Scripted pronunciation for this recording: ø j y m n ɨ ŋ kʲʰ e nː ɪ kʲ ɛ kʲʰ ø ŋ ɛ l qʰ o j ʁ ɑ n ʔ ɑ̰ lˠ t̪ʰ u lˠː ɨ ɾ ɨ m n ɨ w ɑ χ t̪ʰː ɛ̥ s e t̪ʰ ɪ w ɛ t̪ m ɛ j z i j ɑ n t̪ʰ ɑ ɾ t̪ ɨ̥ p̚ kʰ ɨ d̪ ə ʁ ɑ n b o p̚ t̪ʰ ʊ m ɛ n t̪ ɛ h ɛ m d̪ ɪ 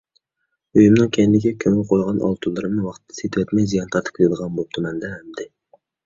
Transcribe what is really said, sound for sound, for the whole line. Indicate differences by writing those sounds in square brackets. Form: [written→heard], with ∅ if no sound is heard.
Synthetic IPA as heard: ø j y m n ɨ ŋ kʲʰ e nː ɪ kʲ ɛ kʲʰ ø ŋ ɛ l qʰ o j ʁ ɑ n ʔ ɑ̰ lˠ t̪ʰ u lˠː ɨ ɾ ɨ m n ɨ w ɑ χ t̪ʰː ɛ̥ s e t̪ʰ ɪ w ɛ t̪ m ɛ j z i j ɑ n t̪ʰ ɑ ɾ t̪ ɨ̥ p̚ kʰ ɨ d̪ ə ʁ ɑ n b o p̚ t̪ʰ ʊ m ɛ n [t̪→d̪] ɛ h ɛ m d̪ ɪ

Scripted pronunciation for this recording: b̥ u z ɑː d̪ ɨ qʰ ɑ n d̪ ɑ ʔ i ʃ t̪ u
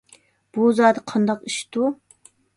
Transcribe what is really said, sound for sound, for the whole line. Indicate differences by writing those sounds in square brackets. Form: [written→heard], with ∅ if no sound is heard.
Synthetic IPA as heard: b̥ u z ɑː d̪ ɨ qʰ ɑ n d̪ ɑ [ʔ→q] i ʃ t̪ u

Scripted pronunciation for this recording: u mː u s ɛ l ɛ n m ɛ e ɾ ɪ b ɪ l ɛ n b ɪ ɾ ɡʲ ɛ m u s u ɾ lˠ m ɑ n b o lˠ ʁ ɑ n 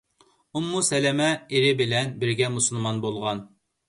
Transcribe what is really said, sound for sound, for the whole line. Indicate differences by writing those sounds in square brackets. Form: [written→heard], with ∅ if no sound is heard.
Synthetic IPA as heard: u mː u s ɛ l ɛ [n→∅] m ɛ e ɾ ɪ b ɪ l ɛ n b ɪ ɾ ɡʲ ɛ m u s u [ɾ→∅] lˠ m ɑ n b o lˠ ʁ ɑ n

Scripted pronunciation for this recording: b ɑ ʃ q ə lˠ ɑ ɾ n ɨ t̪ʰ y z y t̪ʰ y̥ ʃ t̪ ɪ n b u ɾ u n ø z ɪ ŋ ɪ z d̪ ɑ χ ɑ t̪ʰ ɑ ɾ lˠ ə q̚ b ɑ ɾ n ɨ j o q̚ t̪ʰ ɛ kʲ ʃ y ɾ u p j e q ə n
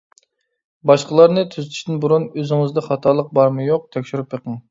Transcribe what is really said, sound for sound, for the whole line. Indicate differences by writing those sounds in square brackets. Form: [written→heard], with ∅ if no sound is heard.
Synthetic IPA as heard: b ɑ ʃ q ə lˠ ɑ ɾ n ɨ t̪ʰ y z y t̪ʰ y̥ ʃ t̪ ɪ n b u ɾ u n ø z ɪ ŋ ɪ z d̪ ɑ χ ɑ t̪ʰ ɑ ɾ lˠ ə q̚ b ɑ ɾ [n→m] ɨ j o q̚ t̪ʰ ɛ kʲ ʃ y ɾ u p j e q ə [n→ŋ]

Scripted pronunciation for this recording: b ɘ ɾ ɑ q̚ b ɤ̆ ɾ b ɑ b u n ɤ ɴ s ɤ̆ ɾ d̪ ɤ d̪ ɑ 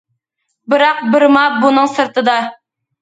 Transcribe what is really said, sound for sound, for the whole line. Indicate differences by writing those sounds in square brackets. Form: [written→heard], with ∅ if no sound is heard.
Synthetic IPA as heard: b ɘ ɾ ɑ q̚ b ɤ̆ ɾ [b→m] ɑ b u n ɤ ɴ s ɤ̆ ɾ [d̪→t̪] ɤ d̪ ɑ

